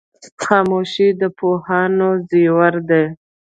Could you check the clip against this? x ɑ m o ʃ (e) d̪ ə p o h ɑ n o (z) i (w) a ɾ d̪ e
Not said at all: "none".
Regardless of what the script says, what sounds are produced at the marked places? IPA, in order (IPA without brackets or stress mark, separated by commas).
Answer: i, z, w